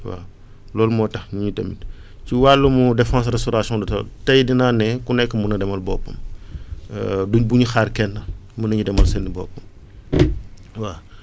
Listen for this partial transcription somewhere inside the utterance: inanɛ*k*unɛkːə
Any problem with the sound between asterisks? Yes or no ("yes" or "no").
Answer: no